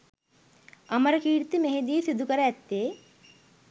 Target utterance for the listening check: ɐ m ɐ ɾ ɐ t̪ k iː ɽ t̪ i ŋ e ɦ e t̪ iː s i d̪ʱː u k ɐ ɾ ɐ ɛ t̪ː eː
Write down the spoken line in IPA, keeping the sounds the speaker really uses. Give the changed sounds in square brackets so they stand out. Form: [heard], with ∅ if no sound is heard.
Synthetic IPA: ɐ m ɐ ɾ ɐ [∅] k iː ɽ t̪ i [m] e ɦ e [d̪] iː s i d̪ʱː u k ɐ ɾ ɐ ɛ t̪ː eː